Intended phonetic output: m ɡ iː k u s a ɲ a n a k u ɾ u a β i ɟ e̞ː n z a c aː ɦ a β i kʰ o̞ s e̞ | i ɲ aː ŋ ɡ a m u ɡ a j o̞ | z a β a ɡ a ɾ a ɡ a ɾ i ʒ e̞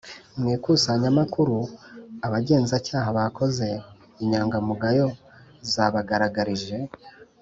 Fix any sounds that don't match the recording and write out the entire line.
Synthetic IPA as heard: m ŋ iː k u s a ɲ a m a k u ɾ u a β a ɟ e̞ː n z a c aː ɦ a β a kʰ o̞ z e̞ | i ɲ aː ŋ ɡ a m u ɡ a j o̞ | z a β a ɡ a ɾ a ɡ a ɾ i ʒ e̞